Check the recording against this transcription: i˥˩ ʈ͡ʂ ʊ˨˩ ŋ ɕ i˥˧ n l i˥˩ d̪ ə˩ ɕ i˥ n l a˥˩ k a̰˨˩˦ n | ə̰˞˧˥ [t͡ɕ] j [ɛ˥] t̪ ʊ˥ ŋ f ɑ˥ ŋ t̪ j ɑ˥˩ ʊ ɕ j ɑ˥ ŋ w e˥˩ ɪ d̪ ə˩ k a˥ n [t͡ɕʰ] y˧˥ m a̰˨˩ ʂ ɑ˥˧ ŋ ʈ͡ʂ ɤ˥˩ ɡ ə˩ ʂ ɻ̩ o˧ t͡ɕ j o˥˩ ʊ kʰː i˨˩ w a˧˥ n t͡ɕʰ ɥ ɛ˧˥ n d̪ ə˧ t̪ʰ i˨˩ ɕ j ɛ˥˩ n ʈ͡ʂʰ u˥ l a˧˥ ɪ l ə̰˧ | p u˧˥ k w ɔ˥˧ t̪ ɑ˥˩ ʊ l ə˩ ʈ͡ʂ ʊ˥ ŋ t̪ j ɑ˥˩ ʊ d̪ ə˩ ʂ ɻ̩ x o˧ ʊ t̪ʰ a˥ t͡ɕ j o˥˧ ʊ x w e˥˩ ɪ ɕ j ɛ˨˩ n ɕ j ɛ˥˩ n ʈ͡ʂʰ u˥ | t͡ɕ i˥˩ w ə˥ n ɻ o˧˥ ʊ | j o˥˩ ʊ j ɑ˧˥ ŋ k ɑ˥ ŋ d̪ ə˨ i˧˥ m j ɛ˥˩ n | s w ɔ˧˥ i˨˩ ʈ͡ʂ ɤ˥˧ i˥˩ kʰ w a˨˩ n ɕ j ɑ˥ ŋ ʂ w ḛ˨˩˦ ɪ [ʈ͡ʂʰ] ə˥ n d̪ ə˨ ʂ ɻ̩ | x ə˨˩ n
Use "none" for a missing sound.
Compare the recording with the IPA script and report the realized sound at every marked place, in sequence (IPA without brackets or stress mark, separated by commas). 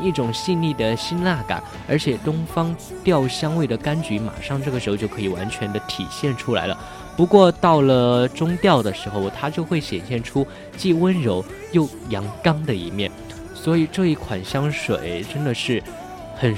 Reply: t͡ɕʰ, ɛ˨˩, t͡ɕ, ʈ͡ʂ